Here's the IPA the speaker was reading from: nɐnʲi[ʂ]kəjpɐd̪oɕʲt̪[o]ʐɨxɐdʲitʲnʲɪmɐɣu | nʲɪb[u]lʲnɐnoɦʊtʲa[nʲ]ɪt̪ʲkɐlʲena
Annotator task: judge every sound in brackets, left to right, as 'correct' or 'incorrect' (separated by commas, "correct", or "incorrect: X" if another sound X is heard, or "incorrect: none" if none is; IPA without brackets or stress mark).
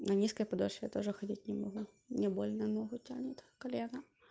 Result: incorrect: s, correct, incorrect: o, correct